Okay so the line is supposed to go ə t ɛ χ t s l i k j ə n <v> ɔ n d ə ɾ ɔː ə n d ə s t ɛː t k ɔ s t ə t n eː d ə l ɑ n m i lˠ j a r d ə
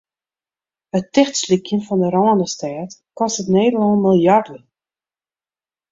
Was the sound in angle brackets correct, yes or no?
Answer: no